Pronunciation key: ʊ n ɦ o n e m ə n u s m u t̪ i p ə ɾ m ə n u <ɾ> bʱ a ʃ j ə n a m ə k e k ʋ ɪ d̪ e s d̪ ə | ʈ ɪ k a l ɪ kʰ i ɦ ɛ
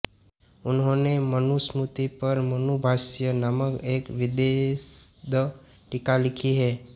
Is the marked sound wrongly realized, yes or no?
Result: yes